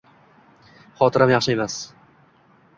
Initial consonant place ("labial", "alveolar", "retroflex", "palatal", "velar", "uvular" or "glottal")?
uvular